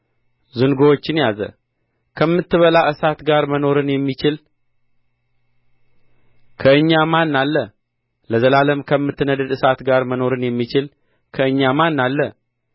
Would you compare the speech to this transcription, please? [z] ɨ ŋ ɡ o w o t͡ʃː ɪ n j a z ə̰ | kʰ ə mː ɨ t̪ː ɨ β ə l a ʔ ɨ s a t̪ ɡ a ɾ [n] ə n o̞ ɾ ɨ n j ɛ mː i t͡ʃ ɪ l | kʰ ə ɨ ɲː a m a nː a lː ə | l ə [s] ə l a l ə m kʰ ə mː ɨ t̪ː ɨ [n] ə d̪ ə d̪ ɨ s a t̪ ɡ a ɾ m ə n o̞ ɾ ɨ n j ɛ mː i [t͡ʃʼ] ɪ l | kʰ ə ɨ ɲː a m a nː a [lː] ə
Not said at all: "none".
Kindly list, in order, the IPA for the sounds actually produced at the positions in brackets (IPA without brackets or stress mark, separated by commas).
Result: z, m, z, n, t͡ʃ, lː